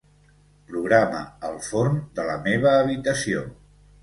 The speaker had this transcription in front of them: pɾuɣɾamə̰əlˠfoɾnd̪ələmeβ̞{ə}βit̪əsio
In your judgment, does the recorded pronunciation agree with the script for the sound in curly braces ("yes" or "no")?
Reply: no